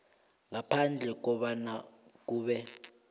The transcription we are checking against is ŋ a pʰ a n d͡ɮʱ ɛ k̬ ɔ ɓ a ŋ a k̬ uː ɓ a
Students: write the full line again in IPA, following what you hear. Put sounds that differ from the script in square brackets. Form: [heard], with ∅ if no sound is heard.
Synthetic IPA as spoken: ŋ a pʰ a n d͡ɮʱ ɛ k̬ ɔ ɓ a [n] a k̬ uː ɓ [ɛ]